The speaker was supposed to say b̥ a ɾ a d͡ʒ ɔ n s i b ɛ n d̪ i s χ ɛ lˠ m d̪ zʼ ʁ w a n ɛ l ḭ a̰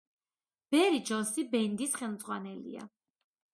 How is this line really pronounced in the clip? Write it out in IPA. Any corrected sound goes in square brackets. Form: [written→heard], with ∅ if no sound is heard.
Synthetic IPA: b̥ [a→ɛ] ɾ [a→i] d͡ʒ ɔ n s i b ɛ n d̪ i s χ ɛ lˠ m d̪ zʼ ʁ w a n ɛ l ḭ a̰